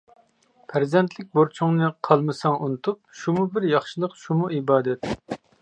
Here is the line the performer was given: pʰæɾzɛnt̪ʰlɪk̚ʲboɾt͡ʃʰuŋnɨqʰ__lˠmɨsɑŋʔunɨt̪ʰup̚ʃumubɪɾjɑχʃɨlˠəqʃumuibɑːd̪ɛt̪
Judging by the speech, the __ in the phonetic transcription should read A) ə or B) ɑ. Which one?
B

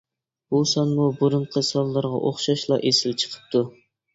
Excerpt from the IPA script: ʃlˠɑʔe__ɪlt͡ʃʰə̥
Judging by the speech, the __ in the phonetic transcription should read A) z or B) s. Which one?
B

